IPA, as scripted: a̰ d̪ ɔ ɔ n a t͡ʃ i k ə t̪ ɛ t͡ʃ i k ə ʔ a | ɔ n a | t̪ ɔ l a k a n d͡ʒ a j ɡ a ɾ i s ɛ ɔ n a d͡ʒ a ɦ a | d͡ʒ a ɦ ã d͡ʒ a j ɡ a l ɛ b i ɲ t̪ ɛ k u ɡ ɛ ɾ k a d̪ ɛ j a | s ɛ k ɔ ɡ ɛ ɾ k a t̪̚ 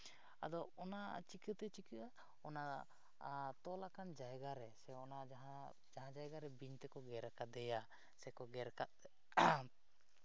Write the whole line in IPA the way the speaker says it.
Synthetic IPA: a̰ d̪ ɔ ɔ n a t͡ʃ i k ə t̪ ɛ t͡ʃ i k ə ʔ a | ɔ n a | t̪ ɔ l a k a n d͡ʒ a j ɡ a ɾ ɛ s ɛ ɔ n a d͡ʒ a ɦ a | d͡ʒ a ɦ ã d͡ʒ a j ɡ a ɾ ɛ b i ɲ t̪ ɛ k ɔ ɡ ɛ ɾ k a d̪ ɛ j a | s ɛ k ɔ ɡ ɛ ɾ k a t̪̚

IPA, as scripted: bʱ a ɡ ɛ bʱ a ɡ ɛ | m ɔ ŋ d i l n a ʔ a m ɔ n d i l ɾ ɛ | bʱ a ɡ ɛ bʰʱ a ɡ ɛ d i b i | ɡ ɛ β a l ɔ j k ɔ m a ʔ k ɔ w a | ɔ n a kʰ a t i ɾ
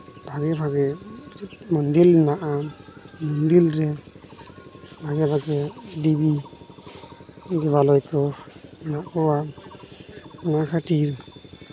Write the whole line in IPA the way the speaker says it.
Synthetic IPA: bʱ a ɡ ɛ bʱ a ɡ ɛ | m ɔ n d i l n a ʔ a m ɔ n d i l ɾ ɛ | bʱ a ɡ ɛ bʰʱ a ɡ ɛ d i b i | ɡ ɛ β a l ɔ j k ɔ n a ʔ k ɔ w a | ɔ n a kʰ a t i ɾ

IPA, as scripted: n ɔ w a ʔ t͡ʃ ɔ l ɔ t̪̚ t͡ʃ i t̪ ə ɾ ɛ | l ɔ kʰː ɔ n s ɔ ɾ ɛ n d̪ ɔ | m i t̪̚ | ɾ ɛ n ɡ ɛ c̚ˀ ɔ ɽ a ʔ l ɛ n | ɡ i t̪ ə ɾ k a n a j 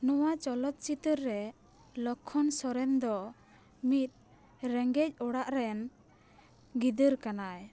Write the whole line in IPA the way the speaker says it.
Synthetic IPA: n ɔ w a t͡ʃ ɔ l ɔ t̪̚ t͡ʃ i t̪ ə ɾː ɛ | l ɔ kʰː ɔ n s ɔ ɾ ɛ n d̪ ɔ | m i t̪̚ | ɾ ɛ ŋ ɡ ɛ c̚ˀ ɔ ɽ a ʔ ɾ ɛ n | ɡ i d̪ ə ɾ k a n a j

